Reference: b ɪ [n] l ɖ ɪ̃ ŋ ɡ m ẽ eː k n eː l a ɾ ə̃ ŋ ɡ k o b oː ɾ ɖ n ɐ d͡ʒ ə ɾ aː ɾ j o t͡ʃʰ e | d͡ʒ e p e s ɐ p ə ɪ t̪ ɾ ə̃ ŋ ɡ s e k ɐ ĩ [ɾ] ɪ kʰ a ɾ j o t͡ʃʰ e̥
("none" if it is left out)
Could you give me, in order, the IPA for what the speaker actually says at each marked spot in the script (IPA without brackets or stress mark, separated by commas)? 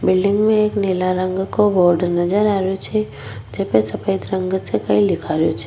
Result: none, l